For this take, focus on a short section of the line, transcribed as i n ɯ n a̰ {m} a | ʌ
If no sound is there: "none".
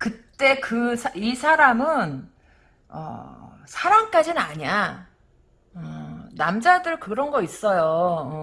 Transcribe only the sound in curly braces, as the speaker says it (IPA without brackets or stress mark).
ɲ